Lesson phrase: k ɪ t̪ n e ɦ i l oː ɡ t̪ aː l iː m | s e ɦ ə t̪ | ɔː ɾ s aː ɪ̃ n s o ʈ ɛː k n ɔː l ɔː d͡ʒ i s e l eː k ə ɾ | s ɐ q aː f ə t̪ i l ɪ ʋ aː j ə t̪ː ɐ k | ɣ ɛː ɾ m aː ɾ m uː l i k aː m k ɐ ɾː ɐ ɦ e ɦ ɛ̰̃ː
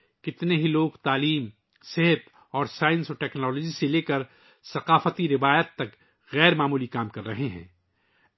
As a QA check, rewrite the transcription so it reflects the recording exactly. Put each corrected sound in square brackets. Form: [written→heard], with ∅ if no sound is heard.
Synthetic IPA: k ɪ t̪ n e ɦ i l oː ɡ t̪ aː l iː m | s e ɦ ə t̪ | ɔː ɾ s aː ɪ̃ n s o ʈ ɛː k n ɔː l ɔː d͡ʒ i s e l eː k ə ɾ | s ɐ q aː f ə t̪ i [l→ɾ] ɪ ʋ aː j ə t̪ː ɐ k | ɣ ɛː ɾ m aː [ɾ→∅] m uː l i k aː m k ɐ ɾː ɐ ɦ e ɦ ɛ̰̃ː